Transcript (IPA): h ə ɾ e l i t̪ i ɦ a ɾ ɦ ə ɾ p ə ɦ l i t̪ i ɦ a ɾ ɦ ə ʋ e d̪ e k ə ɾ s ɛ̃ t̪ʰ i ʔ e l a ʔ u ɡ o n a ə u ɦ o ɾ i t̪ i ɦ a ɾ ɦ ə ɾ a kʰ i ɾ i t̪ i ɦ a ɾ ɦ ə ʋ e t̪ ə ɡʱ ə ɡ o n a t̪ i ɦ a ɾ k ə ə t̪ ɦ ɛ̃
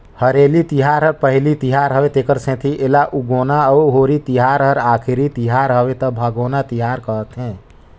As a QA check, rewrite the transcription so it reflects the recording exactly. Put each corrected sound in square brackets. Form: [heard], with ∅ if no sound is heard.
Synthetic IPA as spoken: h ə ɾ e l i t̪ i ɦ a ɾ ɦ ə ɾ p ə ɦ l i t̪ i ɦ a ɾ ɦ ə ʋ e [t̪] e k ə ɾ s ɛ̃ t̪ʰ i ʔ e l a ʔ u ɡ o n a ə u ɦ o ɾ i t̪ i ɦ a ɾ ɦ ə ɾ a kʰ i ɾ i t̪ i ɦ a ɾ ɦ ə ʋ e t̪ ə [bʱ] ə ɡ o n a t̪ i ɦ a ɾ k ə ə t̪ ɦ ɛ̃

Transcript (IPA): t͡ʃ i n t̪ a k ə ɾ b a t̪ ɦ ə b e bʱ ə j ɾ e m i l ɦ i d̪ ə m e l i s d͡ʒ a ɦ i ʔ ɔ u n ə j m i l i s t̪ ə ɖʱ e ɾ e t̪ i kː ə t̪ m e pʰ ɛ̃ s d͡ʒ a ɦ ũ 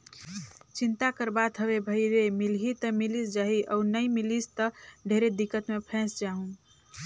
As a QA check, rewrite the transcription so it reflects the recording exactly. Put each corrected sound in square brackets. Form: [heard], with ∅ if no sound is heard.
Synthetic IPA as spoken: t͡ʃ i n t̪ a k ə ɾ b a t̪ ɦ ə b e bʱ ə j ɾ e m i l ɦ i [t̪] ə m [i] l i s d͡ʒ a ɦ i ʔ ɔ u n ə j m i l i s t̪ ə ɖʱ e ɾ e [d̪] i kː ə t̪ m e pʰ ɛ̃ s d͡ʒ a ɦ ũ

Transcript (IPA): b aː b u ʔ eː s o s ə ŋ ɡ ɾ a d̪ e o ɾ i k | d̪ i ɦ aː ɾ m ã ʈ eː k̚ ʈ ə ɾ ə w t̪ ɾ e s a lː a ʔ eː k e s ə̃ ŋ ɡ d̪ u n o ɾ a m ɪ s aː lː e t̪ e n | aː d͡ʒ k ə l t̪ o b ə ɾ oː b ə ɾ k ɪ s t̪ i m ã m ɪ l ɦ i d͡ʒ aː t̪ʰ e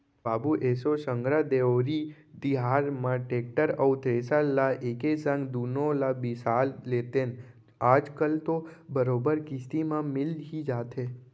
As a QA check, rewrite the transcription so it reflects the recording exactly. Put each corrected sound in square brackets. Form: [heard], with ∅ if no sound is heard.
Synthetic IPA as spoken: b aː b u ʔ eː s o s ə ŋ ɡ ɾ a d̪ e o ɾ i [∅] | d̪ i ɦ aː ɾ m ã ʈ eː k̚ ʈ ə ɾ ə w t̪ ɾ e s a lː a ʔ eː k e s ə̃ ŋ ɡ d̪ u n o [l] a [b] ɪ s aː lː e t̪ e n | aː d͡ʒ k ə l t̪ o b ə ɾ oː b ə ɾ k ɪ s t̪ i m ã m ɪ l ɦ i d͡ʒ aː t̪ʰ e

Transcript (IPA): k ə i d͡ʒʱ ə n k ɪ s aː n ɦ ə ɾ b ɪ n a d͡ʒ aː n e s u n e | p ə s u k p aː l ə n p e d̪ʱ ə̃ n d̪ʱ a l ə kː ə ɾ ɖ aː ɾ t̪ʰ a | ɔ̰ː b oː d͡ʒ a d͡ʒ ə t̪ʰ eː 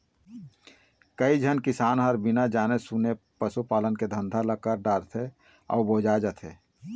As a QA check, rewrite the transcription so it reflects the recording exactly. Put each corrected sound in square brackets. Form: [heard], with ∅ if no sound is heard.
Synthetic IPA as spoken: k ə i d͡ʒʱ ə n k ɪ s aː n ɦ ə ɾ b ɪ n a d͡ʒ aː n e s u n e | p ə s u [∅] p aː l ə n [k] e d̪ʱ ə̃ n d̪ʱ a l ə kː ə ɾ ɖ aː ɾ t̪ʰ [e] | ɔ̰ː b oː d͡ʒ a d͡ʒ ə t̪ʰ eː

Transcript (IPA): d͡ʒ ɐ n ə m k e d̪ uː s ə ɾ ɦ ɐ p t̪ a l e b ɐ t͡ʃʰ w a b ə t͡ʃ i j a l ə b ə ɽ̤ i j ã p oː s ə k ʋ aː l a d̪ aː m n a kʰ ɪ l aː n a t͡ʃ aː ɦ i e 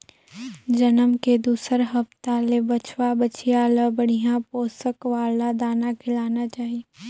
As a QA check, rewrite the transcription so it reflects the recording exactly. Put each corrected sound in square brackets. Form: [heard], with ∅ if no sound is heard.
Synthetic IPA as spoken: d͡ʒ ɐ n ə m k e d̪ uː s ə ɾ ɦ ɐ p t̪ a l e b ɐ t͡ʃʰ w a b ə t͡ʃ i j a l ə b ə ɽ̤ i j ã p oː s ə k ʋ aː l a d̪ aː [∅] n a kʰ ɪ l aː n a t͡ʃ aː ɦ i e

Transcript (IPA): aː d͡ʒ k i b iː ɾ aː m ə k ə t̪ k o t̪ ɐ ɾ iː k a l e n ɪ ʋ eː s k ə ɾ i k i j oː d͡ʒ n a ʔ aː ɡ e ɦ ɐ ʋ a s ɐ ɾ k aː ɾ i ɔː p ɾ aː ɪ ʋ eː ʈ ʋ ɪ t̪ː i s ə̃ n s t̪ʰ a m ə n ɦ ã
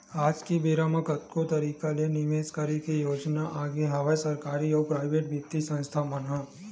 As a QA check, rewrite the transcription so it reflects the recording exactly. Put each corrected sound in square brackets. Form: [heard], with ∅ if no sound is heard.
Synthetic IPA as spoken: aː d͡ʒ k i b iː ɾ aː m ə k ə t̪ k o t̪ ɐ ɾ iː k a l e n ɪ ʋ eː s k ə ɾ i k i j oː d͡ʒ n a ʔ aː ɡ e ɦ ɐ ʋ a s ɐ ɾ k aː ɾ i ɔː p ɾ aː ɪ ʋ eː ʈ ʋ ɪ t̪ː i s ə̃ n s t̪ʰ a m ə n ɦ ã

